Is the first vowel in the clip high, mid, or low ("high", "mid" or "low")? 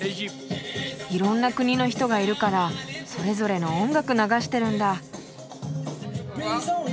high